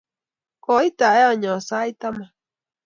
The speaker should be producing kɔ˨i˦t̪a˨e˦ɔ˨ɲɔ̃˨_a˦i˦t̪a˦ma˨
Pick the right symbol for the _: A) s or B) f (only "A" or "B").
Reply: A